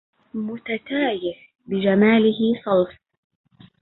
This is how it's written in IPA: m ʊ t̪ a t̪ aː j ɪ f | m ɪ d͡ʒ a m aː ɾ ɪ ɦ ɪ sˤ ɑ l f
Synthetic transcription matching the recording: m ʊ t̪ a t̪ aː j ɪ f | b ɪ d͡ʒ a m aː l ɪ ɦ ɪ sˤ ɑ l f